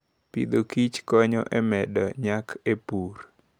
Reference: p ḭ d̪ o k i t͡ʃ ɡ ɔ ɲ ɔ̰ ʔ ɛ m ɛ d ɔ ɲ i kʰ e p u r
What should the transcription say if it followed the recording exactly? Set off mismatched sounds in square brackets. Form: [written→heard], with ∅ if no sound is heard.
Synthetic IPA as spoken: p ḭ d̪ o k i t͡ʃ [ɡ→k] ɔ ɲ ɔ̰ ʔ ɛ m ɛ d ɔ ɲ [i→a] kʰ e p u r